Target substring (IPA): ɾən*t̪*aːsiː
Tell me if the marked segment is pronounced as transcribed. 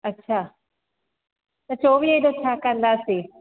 no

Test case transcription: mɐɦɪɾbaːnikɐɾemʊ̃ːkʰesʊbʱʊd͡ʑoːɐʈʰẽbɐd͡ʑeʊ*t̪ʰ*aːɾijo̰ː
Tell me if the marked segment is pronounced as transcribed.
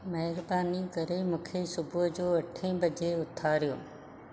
yes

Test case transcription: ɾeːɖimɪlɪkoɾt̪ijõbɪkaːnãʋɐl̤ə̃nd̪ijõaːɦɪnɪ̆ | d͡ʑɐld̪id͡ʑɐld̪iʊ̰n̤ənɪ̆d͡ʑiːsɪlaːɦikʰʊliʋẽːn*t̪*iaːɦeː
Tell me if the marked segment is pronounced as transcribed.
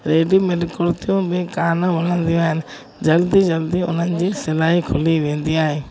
no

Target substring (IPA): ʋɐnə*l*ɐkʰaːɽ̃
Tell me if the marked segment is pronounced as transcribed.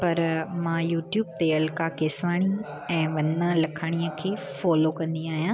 yes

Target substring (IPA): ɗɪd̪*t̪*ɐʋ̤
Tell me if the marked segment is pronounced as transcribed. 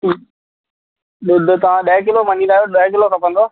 yes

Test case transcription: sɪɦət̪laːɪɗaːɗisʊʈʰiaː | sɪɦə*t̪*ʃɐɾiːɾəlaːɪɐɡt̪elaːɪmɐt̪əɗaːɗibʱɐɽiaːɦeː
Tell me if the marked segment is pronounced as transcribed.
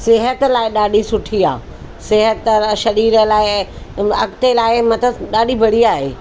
yes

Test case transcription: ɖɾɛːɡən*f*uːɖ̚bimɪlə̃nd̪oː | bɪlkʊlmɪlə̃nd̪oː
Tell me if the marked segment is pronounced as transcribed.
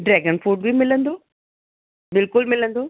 yes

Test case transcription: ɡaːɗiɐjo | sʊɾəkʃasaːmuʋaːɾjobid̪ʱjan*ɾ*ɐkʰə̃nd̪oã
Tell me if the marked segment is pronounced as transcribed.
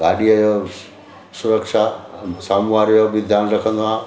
yes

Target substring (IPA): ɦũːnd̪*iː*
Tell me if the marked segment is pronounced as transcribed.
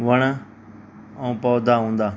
no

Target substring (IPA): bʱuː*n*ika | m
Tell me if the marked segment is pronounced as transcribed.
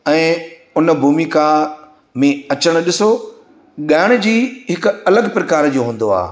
no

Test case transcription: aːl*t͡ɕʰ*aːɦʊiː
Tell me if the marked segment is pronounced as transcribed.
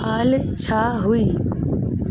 yes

